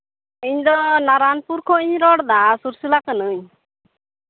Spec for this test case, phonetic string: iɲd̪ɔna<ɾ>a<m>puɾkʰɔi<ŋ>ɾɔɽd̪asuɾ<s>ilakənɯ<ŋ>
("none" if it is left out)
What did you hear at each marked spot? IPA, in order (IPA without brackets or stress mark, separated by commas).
ɾ, n, ɲ, s, ɲ